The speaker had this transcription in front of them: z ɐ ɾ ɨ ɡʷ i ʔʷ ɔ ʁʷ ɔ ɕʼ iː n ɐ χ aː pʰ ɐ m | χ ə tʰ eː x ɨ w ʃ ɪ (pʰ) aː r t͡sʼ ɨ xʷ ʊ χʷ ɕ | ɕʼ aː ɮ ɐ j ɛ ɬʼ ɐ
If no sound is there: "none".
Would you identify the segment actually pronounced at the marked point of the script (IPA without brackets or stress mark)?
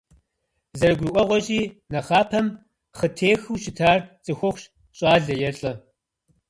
tʰ